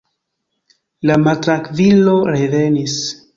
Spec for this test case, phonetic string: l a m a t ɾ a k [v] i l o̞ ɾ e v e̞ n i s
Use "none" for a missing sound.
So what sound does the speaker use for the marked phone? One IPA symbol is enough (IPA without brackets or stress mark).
v